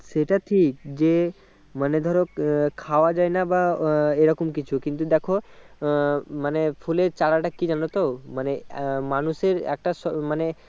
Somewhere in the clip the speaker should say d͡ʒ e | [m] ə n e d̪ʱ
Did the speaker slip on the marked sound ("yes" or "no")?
no